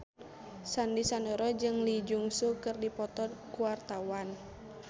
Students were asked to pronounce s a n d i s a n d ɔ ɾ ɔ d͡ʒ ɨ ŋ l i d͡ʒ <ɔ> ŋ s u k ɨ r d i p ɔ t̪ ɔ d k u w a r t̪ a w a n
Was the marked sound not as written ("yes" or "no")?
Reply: yes